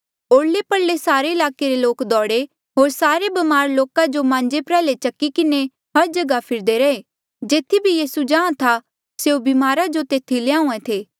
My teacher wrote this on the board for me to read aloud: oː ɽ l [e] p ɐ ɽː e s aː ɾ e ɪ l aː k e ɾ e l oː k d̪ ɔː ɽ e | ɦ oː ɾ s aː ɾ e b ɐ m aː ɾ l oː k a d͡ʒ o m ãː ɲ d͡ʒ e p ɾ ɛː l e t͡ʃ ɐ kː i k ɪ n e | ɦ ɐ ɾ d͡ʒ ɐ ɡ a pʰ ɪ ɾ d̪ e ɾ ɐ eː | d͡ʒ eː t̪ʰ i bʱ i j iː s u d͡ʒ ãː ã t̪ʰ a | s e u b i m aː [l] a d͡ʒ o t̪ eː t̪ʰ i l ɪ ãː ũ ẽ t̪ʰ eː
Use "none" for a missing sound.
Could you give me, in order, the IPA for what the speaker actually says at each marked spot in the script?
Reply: e, ɾ

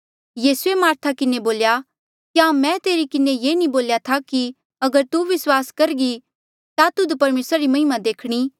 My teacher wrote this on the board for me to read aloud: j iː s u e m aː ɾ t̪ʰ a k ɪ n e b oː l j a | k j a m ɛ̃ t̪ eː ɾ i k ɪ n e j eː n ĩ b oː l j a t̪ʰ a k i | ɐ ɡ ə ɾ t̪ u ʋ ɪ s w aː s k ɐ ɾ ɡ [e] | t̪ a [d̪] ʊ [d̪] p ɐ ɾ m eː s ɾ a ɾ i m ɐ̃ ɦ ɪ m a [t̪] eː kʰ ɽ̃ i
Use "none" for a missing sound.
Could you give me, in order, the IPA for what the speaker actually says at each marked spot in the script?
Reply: i, t̪, d̪, d̪

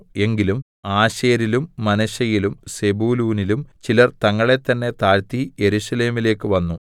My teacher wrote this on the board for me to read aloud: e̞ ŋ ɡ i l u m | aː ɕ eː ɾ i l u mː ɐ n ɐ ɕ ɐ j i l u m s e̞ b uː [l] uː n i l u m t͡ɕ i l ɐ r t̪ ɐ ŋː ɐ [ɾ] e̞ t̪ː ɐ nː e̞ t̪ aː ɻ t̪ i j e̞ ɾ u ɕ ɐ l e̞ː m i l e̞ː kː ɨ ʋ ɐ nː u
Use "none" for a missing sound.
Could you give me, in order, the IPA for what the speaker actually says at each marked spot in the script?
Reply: l, ɭ

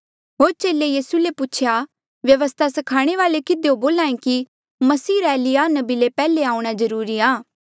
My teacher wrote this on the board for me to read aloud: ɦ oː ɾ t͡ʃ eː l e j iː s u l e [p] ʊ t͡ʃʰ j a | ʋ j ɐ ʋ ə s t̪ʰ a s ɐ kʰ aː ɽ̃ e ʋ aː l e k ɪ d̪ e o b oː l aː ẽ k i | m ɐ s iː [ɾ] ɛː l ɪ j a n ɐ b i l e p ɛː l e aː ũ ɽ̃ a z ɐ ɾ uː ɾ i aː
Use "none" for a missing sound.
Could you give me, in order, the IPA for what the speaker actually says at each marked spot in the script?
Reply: p, ɾ

